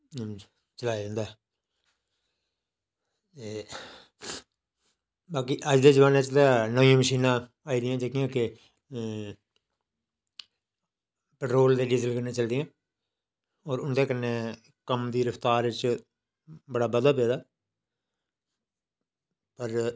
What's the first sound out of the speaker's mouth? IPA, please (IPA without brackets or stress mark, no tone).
t͡ʃ